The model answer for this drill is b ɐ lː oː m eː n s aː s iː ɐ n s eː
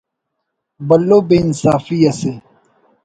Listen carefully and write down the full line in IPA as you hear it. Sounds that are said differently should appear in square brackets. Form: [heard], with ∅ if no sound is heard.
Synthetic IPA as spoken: b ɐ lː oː [b] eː n s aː [f] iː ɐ [∅] s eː